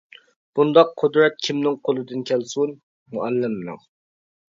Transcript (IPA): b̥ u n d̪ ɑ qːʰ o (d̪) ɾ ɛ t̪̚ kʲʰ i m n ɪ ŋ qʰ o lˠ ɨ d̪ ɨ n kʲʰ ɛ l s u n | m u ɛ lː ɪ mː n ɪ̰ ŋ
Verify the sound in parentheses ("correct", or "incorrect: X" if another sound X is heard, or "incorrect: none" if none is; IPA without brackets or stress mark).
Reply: correct